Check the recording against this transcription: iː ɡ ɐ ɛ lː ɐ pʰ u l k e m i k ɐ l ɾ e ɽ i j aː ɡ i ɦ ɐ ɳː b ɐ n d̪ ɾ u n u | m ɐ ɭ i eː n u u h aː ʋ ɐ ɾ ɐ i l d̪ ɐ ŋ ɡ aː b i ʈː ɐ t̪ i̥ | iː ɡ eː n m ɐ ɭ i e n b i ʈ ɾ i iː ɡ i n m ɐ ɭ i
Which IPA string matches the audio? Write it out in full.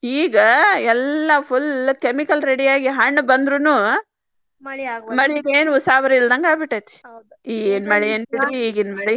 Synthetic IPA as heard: iː ɡ ɐ ɛ lː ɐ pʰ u l k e m i k ɐ l ɾ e ɽ i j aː ɡ i ɦ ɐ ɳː b ɐ n d̪ ɾ u n u | m ɐ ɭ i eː n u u s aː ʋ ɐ ɾ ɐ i l d̪ ɐ ŋ ɡ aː b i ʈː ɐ t̪ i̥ | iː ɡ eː n m ɐ ɭ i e n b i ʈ ɾ i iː ɡ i n m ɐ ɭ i